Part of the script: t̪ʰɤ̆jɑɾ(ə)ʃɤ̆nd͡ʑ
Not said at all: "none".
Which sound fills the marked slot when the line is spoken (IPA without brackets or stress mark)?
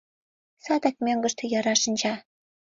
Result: ɑ